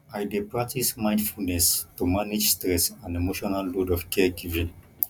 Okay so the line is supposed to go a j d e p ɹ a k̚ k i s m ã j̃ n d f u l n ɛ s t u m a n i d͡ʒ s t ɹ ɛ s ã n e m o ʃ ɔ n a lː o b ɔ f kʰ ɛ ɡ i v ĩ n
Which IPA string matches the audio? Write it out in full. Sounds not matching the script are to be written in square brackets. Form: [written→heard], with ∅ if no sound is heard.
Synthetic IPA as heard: a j d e p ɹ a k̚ [k→t] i s m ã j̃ n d f u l n ɛ s t u m a n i d͡ʒ s t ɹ ɛ s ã n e m o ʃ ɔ n a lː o [b→d] ɔ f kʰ ɛ ɡ i v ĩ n